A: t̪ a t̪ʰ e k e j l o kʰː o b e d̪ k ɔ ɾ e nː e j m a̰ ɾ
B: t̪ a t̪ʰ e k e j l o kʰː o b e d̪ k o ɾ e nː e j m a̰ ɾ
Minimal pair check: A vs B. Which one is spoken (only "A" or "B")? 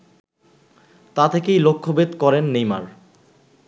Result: A